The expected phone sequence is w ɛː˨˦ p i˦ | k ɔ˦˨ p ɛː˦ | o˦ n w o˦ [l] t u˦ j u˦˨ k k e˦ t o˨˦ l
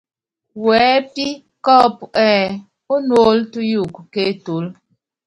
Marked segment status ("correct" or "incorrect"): correct